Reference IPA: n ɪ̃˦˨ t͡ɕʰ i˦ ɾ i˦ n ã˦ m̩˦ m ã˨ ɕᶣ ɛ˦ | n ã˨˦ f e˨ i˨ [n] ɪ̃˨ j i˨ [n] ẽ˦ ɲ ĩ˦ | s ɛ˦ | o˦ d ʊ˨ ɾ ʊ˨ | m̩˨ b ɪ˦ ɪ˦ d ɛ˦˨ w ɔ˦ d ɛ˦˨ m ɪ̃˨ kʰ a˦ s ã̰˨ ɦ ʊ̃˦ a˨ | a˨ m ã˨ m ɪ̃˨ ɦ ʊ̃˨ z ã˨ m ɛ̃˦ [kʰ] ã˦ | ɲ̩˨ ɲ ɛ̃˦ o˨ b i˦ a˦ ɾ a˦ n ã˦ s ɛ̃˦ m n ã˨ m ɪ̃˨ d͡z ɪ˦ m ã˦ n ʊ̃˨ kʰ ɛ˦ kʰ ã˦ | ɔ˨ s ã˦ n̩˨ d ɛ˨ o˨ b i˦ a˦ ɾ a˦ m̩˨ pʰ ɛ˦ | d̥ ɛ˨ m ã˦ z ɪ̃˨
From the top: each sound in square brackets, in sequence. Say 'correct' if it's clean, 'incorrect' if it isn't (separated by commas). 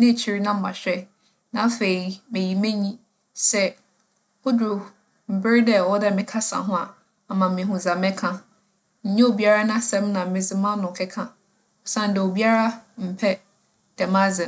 incorrect, incorrect, correct